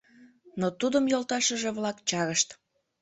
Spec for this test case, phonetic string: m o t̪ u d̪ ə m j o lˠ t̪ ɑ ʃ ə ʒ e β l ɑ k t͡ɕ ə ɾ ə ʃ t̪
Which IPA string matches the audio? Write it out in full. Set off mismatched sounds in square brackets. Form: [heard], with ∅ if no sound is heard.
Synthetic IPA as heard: [n] o t̪ u d̪ ə m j o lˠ t̪ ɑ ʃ ə ʒ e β l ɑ k t͡ɕ [ɑ] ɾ ə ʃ t̪